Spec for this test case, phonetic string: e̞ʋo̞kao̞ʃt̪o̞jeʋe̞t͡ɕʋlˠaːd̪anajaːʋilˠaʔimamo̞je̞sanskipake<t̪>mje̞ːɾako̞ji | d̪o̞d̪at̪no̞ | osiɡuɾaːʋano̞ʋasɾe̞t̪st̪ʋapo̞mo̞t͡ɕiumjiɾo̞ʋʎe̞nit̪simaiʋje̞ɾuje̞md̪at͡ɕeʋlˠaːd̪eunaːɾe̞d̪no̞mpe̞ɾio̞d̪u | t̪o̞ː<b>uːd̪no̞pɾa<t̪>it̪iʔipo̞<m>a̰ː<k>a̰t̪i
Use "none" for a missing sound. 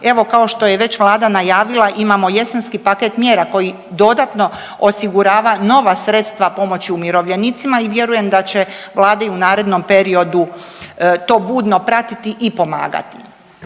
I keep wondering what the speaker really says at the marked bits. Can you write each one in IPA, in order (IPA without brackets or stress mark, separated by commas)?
t̪, b, t̪, m, ɡ